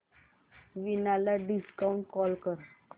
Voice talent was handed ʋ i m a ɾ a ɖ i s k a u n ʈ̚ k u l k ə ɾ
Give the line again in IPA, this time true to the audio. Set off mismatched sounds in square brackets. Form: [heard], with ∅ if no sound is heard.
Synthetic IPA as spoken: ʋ i [n] a [l] a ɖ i s k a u [ɳ] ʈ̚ k [ɔ] l k ə ɾ